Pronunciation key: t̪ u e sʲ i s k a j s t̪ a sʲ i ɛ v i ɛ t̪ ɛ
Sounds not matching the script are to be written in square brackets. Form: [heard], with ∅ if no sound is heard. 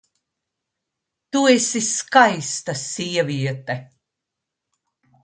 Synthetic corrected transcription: t̪ u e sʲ i s k a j s t̪ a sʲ i ɛ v i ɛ t̪ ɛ